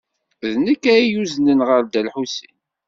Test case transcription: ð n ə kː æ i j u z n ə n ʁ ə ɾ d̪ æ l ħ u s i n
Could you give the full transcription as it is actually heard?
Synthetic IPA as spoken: ð n ə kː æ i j u z n ə n ʁ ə ɾ d̪ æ l ħ u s i n